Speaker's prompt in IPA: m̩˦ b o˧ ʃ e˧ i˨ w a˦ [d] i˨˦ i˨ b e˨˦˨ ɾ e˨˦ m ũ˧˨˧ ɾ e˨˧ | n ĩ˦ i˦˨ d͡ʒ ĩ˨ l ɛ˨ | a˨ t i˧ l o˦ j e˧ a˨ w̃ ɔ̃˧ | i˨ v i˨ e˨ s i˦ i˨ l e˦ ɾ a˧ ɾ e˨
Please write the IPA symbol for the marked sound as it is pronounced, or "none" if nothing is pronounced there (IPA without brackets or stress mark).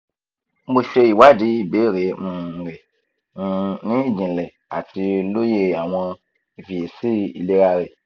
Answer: d